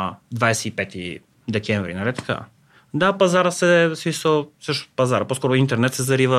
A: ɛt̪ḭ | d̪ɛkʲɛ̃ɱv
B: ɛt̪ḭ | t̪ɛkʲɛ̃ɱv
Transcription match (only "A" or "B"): A